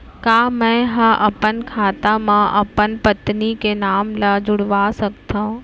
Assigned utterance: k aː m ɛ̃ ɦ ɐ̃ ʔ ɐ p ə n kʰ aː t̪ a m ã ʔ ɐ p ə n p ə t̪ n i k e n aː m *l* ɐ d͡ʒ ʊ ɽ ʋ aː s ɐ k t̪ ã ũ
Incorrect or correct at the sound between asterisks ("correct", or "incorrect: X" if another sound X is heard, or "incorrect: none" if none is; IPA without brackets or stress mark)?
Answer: correct